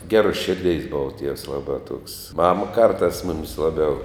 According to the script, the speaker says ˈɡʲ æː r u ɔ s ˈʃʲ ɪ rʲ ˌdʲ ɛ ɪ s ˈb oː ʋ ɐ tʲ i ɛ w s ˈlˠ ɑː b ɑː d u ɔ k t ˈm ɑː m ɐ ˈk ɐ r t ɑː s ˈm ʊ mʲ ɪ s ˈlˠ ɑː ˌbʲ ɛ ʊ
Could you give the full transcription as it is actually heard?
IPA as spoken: ˈɡʲ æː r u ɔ s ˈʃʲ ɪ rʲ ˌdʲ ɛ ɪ s ˈb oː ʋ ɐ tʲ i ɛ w s ˈlˠ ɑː b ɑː t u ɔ k s ˈm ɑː m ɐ ˈk ɐ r t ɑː s ˈm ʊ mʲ ɪ s ˈlˠ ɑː ˌbʲ ɛ ʊ